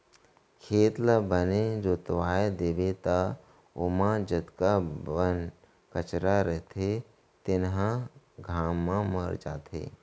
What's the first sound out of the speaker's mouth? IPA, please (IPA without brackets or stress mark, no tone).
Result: kʰ